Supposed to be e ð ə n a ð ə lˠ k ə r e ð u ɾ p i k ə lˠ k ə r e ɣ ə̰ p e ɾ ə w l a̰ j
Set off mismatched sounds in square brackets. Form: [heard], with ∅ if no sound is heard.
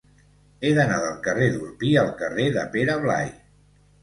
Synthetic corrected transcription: e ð ə n a ð ə lˠ k ə r e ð u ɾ p i [∅] ə lˠ k ə r e [ð] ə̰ p e ɾ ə [β] l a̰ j